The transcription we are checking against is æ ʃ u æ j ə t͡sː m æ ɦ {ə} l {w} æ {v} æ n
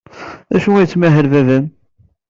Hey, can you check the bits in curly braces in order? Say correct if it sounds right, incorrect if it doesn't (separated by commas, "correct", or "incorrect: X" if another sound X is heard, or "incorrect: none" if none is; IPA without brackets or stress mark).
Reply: correct, incorrect: v, correct